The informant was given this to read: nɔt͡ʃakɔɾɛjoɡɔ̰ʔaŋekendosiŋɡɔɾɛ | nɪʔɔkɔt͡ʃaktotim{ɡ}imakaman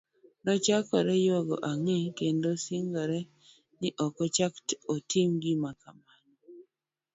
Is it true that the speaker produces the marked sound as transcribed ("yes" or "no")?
yes